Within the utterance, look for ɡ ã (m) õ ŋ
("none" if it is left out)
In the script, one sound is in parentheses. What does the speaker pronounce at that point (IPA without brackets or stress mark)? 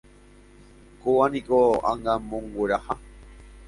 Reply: m